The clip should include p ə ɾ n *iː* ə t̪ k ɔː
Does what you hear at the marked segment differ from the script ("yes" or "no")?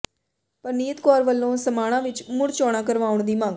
no